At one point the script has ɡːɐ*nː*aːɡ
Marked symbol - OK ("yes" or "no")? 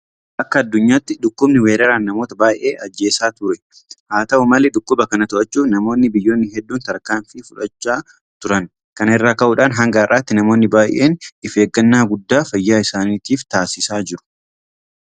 yes